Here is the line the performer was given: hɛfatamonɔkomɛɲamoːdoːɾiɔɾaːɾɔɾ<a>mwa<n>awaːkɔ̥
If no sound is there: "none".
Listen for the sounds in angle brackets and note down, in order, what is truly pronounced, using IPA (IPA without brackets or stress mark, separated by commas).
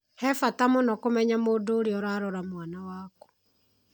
a, n